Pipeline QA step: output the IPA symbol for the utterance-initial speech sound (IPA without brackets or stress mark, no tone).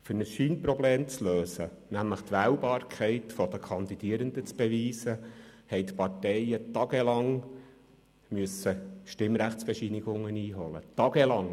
f